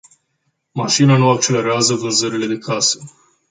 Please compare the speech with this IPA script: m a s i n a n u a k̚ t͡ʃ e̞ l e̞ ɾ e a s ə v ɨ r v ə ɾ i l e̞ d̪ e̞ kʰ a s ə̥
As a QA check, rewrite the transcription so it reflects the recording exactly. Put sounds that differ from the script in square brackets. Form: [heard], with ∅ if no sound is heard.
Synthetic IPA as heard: m a [ʃ] i n a n u a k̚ t͡ʃ e̞ l e̞ ɾ e a [z] ə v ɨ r [z] ə ɾ i l e̞ d̪ e̞ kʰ a s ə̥